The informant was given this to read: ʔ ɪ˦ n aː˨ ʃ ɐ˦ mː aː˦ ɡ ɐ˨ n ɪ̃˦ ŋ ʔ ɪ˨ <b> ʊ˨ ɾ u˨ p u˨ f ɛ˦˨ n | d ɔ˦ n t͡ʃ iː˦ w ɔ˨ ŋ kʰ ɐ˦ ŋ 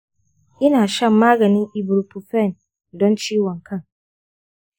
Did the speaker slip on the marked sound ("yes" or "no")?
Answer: no